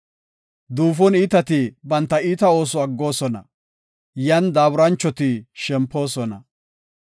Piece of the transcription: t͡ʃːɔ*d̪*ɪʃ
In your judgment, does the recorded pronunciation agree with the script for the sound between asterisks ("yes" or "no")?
no